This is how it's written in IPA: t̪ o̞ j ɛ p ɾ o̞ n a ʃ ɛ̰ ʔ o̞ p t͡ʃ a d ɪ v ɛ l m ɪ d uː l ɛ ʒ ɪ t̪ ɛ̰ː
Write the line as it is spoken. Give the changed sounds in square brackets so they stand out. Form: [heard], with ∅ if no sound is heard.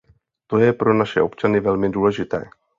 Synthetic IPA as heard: t̪ o̞ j ɛ p ɾ o̞ n a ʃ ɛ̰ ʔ o̞ p t͡ʃ a [n] ɪ v ɛ l m ɪ d uː l ɛ ʒ ɪ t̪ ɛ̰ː